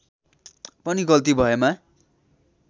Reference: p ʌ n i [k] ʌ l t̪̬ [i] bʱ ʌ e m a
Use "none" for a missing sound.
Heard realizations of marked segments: ɡ, i

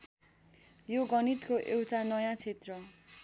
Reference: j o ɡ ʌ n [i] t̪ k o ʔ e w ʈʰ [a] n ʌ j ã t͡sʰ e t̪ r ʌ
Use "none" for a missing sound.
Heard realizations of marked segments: i, a

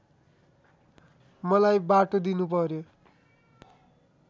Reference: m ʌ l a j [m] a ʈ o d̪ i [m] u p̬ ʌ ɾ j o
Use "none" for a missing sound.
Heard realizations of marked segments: b, n

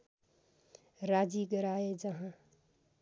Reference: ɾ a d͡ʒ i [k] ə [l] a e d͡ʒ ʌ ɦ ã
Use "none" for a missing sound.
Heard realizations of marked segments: ɡ, ɾ

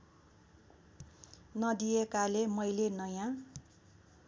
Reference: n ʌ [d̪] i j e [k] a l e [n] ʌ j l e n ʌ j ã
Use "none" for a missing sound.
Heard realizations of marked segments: d̪, k, m

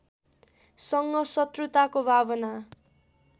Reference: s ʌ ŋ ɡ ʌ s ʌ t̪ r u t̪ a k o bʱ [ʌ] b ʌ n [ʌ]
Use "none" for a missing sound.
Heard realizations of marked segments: a, a

